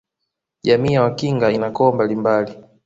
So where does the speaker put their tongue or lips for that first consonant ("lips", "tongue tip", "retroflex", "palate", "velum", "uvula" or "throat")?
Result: palate